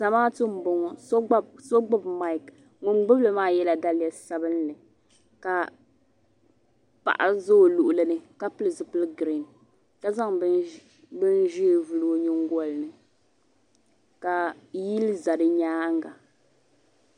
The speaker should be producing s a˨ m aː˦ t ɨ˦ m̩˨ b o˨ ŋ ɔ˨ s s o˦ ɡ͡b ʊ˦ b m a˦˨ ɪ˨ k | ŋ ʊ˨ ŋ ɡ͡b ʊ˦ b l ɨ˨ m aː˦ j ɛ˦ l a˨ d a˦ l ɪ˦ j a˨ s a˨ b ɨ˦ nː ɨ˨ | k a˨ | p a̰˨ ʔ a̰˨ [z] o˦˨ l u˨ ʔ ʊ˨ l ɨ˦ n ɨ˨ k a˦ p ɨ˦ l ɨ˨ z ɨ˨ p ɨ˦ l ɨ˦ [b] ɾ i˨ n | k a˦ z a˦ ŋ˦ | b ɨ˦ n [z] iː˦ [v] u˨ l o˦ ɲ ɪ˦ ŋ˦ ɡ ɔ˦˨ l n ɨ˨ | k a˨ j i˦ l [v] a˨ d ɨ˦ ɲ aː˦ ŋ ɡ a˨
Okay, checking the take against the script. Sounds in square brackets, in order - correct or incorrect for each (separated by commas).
correct, incorrect, incorrect, correct, incorrect